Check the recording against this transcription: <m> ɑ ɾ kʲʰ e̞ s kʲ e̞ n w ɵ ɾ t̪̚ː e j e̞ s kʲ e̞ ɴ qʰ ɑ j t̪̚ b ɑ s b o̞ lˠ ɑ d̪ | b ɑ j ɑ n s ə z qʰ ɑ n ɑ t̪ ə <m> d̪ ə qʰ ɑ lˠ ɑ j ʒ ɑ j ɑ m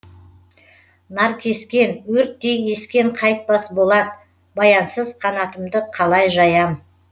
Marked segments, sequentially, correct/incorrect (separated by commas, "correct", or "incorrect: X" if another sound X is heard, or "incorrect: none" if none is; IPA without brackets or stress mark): incorrect: n, correct